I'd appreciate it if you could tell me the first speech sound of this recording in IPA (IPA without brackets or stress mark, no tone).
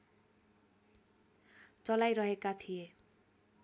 t͡s